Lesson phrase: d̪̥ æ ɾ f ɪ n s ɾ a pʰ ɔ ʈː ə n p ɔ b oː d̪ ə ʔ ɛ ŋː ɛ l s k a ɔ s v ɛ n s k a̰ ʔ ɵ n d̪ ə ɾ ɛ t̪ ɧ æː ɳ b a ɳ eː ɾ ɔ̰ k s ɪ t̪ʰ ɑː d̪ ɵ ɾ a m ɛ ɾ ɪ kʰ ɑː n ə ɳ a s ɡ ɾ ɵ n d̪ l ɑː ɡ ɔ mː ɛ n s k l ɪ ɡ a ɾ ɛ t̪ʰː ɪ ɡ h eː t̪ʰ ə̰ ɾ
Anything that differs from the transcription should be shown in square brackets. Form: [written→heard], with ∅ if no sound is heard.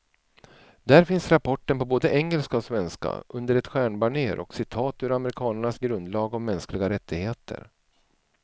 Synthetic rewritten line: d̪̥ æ ɾ f ɪ n s ɾ a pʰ ɔ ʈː ə n p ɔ b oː d̪ ə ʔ ɛ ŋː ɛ l s k a ɔ s v ɛ n s k a̰ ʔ ɵ n d̪ ə ɾ ɛ t̪ ɧ æː ɳ b a ɳ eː ɾ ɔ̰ k s ɪ t̪ʰ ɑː [d̪→t̪] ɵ ɾ a m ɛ ɾ ɪ kʰ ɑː n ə ɳ a s ɡ ɾ ɵ n d̪ l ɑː ɡ ɔ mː ɛ n s k l ɪ ɡ a ɾ ɛ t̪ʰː ɪ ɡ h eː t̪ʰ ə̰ ɾ